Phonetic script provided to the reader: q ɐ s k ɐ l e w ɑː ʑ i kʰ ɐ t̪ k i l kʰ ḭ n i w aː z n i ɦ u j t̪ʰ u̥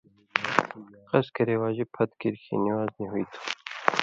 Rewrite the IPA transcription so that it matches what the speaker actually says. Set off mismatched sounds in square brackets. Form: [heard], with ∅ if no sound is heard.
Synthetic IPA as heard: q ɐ s k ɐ [ɾ] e w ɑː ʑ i [pʰ] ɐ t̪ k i [ɾ] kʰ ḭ n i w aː z n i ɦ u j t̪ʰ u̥